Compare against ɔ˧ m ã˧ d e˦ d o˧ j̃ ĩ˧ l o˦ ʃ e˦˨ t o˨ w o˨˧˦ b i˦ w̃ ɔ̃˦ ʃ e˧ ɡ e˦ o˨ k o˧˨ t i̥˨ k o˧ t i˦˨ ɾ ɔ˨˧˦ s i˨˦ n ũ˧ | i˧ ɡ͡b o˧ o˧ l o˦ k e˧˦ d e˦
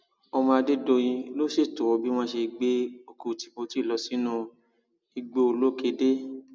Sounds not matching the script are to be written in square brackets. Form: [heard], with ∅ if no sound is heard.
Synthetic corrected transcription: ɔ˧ m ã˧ d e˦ d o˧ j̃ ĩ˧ l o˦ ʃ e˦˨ t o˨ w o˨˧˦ b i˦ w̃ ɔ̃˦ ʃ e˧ [ɡ͡b] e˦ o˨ k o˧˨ t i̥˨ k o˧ t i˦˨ [l] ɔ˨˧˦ s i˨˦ n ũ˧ | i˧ ɡ͡b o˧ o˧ l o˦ k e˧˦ d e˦